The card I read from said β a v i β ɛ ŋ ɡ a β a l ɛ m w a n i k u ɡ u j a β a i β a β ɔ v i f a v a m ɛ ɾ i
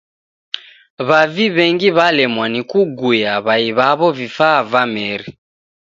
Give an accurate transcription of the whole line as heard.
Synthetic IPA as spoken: β a v i β ɛ ŋ ɡ i β a l ɛ m w a n i k u ɡ u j a β a i β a β ɔ v i f a v a m ɛ ɾ i